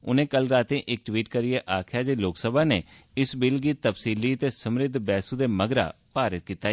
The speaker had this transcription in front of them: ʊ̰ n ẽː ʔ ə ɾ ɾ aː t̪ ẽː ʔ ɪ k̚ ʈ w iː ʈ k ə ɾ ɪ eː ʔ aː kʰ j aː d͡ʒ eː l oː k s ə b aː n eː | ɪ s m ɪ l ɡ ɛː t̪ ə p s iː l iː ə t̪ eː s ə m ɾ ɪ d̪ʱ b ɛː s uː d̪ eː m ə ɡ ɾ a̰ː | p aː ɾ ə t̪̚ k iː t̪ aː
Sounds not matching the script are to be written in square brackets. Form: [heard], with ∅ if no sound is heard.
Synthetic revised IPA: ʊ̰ n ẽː [k] ə [l] ɾ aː t̪ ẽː ʔ ɪ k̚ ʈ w iː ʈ k ə ɾ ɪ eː ʔ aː kʰ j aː d͡ʒ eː l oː k s ə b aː n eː | ɪ s [b] ɪ l ɡ [iː] t̪ ə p s iː l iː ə t̪ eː s ə m ɾ ɪ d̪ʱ b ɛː s uː d̪ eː m ə ɡ ɾ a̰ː | p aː ɾ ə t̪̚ k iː t̪ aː